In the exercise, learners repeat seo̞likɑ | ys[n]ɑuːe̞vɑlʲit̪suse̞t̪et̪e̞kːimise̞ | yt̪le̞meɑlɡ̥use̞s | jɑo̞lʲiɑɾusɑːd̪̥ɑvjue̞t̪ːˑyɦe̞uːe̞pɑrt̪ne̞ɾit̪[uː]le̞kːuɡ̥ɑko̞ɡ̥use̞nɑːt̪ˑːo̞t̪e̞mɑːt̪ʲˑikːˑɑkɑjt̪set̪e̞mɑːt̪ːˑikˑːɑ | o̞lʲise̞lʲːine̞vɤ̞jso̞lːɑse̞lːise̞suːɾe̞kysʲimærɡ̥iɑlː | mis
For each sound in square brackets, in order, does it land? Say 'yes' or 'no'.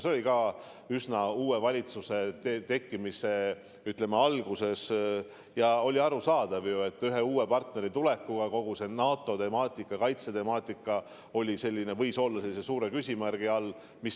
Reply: yes, no

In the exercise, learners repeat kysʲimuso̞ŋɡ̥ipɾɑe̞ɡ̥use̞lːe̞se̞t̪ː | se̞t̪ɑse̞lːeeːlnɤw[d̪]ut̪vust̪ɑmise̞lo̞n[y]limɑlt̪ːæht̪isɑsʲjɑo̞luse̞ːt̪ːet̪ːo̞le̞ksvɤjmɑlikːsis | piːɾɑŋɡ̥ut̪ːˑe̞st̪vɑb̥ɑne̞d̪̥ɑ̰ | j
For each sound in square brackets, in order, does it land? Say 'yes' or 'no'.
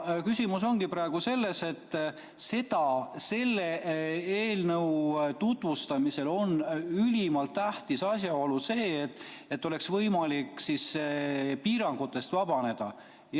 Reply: no, yes

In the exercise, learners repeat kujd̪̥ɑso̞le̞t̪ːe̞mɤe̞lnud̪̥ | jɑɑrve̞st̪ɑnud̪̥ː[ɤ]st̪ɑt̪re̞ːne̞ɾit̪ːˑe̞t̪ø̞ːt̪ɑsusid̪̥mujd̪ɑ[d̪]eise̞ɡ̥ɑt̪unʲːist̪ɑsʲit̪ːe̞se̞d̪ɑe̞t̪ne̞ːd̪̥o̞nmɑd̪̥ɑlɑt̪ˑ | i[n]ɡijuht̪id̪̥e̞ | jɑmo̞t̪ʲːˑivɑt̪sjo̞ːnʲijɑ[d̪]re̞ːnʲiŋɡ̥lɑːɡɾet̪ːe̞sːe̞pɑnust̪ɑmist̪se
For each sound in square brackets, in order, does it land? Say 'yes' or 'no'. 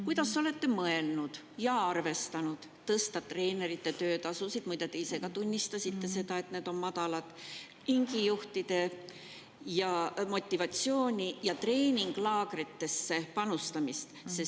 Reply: yes, no, no, no

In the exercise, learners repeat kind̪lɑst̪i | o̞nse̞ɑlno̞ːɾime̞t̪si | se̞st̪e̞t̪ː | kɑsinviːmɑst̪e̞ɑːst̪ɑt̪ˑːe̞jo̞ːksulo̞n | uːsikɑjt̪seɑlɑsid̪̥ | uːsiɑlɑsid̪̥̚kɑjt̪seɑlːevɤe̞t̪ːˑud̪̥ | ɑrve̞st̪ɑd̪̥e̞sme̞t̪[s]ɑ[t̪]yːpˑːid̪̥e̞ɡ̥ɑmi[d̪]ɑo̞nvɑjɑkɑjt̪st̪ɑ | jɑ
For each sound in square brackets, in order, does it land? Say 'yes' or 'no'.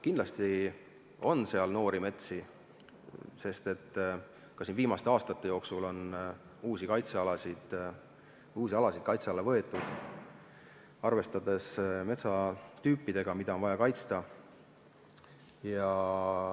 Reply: yes, yes, yes

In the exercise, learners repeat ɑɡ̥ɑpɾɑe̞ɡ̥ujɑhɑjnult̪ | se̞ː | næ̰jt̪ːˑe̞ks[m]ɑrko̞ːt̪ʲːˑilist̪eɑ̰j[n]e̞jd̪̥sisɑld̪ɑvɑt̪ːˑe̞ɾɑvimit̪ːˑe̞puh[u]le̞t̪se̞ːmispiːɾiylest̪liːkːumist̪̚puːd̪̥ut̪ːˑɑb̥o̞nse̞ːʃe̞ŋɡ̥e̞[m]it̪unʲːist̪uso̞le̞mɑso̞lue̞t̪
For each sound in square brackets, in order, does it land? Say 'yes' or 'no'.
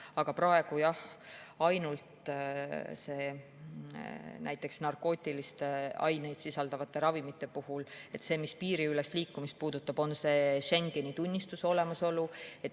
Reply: no, yes, yes, no

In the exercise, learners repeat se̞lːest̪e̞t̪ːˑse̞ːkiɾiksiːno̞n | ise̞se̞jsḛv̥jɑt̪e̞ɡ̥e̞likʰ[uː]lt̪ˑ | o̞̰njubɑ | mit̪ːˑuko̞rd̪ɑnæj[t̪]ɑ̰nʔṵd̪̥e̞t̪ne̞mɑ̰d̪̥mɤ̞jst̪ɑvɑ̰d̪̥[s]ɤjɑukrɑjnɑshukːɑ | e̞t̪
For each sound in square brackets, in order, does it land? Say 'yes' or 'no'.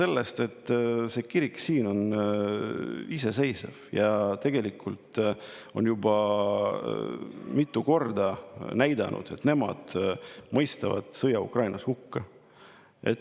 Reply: no, no, yes

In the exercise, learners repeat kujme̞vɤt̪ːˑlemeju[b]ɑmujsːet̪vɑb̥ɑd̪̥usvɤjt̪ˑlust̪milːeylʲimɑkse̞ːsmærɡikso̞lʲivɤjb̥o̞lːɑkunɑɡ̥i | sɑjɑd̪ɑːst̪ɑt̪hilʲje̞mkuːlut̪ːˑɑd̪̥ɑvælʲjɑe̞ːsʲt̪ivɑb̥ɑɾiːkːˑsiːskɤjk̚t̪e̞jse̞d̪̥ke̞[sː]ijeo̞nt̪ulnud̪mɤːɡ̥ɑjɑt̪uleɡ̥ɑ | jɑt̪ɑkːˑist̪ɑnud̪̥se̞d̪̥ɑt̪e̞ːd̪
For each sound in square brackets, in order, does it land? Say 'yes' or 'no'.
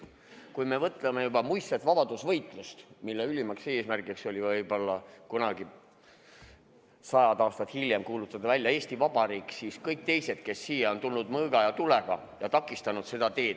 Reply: yes, yes

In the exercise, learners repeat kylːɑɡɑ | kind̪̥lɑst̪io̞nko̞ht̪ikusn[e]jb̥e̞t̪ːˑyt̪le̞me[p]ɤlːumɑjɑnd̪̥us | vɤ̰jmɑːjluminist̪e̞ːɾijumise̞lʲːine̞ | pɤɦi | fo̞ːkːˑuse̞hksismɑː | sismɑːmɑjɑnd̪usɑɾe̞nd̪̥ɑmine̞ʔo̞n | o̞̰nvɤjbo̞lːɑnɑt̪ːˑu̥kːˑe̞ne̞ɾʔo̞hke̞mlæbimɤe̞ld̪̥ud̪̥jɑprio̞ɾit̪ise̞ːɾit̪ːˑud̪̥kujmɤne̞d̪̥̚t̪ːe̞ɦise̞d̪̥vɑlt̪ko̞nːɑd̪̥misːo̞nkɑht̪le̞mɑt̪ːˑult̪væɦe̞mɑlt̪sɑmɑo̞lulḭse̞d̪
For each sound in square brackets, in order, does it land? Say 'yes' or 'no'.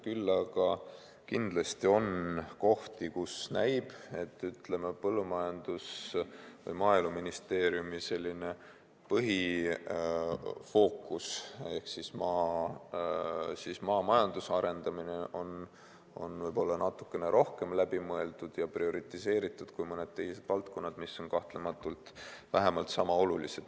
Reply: no, yes

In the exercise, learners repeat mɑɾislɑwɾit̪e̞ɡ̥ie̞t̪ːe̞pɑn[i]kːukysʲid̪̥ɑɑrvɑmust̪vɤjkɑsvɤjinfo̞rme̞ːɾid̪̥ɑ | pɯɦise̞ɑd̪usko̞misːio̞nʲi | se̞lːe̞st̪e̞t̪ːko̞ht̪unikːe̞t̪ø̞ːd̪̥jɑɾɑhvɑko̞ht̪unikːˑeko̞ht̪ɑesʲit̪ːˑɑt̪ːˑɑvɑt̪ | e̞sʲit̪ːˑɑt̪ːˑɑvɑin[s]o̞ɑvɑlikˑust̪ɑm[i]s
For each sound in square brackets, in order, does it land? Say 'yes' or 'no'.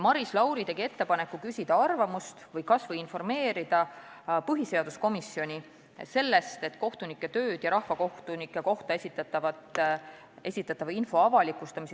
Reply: no, no, yes

